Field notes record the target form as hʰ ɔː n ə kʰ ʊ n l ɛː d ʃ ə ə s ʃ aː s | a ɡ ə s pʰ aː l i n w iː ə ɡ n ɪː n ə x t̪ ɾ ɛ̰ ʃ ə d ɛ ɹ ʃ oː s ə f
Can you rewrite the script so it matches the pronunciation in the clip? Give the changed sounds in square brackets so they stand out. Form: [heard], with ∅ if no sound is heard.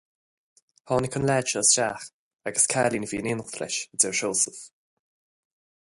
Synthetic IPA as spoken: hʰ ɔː n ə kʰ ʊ n l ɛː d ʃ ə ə s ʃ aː [x] | a ɡ ə s [kʰ] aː l i n [v] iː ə [∅] n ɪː n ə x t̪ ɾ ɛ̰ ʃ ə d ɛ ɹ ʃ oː s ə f